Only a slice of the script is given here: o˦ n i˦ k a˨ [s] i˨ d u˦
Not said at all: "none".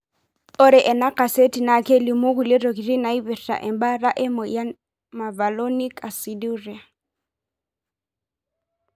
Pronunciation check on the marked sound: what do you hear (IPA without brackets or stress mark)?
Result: s